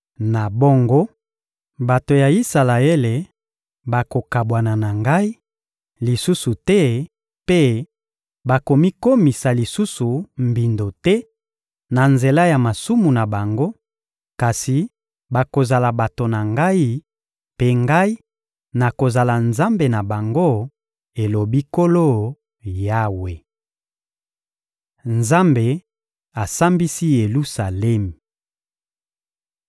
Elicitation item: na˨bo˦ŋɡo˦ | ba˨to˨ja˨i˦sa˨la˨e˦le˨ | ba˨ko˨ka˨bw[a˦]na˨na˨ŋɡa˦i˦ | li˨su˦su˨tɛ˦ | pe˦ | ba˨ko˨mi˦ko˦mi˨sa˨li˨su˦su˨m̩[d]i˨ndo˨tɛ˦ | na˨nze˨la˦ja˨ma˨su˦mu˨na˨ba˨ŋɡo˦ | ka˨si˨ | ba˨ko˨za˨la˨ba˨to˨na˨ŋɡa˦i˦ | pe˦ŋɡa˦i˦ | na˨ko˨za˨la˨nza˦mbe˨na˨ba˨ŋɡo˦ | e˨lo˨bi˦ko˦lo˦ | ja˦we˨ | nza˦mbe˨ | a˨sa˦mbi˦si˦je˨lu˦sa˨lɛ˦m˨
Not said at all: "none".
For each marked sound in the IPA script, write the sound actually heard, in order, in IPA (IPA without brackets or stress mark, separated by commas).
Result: a˨, b